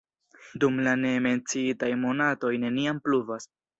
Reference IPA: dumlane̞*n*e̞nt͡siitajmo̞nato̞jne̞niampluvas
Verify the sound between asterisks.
incorrect: m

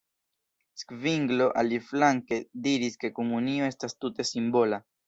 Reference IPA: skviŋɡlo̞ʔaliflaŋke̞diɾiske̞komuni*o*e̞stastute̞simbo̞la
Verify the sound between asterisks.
correct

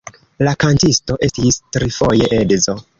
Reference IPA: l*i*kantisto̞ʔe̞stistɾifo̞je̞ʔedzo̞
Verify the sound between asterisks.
incorrect: a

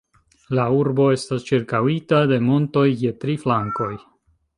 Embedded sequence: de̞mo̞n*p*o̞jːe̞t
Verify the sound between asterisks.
incorrect: t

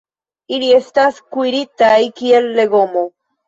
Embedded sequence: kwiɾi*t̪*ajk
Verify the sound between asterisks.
correct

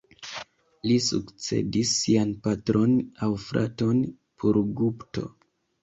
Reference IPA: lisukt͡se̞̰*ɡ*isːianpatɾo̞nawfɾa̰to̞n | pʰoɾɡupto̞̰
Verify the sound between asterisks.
incorrect: d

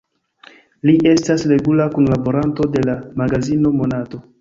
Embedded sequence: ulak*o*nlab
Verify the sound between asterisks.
incorrect: u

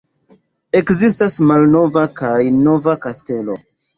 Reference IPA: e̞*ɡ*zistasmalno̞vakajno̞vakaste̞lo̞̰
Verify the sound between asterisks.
incorrect: k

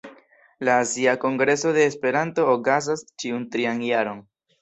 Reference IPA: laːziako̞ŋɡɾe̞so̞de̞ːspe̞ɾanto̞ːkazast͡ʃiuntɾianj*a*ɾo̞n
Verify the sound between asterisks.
correct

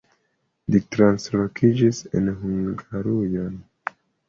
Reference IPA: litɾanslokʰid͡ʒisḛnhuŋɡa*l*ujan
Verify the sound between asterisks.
incorrect: ɾ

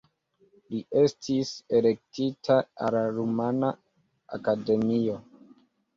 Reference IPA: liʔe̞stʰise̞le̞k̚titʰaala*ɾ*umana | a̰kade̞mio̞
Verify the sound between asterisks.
correct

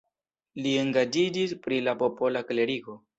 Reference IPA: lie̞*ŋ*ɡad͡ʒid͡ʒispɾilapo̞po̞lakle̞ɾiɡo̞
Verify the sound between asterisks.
correct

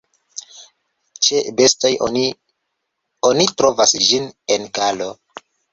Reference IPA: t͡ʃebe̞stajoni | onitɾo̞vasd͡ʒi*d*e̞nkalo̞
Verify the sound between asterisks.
incorrect: n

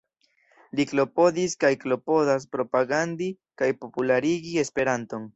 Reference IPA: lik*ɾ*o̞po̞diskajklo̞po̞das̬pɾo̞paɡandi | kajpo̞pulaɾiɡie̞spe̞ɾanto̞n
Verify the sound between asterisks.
incorrect: l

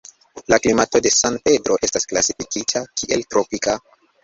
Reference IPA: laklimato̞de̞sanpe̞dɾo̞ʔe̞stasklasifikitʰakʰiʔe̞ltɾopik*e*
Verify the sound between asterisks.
incorrect: a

